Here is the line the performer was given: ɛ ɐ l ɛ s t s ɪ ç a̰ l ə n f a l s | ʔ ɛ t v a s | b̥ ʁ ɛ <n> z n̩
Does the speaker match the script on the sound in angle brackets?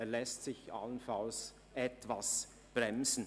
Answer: no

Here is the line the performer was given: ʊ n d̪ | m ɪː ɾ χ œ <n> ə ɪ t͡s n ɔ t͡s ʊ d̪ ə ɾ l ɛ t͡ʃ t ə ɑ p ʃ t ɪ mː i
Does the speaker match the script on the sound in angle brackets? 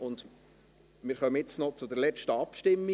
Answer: no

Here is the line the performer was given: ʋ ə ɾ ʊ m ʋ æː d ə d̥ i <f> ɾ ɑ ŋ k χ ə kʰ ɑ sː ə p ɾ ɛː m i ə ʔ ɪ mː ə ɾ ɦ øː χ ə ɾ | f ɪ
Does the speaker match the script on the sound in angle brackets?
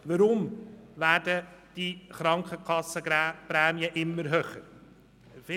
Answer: no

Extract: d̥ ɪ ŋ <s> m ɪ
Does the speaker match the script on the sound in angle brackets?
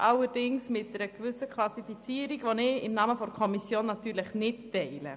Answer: yes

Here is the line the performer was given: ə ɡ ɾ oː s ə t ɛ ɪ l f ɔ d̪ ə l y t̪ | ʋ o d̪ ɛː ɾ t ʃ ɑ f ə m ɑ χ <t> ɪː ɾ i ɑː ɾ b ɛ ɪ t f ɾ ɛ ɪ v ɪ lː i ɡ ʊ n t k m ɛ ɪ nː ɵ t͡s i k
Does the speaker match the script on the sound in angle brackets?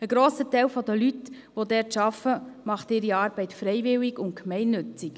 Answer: yes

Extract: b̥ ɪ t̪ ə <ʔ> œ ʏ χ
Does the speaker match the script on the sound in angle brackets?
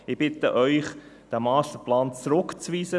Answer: yes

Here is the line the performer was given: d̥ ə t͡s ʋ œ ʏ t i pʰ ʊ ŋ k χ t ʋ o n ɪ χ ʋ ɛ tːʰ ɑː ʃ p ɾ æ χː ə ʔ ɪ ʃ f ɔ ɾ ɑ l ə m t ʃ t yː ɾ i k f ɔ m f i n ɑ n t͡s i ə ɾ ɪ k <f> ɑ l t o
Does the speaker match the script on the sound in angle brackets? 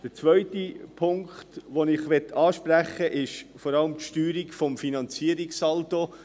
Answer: no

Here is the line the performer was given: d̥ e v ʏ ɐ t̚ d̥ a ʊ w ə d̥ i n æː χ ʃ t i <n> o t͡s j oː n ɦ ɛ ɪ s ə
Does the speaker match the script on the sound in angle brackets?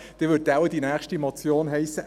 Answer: no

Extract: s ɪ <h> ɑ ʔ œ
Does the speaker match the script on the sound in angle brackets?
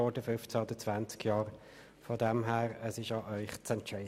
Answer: no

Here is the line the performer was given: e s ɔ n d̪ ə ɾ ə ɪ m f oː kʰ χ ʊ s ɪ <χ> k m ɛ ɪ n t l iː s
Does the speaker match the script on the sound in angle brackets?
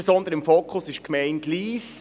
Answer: no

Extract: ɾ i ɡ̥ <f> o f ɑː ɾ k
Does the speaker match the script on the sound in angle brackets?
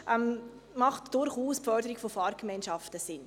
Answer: yes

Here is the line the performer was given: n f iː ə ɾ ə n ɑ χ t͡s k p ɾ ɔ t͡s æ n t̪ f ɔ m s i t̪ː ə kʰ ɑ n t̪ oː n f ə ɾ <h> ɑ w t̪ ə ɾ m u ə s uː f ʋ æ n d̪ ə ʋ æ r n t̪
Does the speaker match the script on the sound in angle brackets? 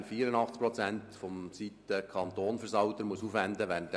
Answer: no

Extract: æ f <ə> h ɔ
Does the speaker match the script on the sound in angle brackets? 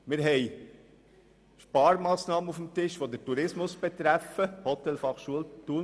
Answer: yes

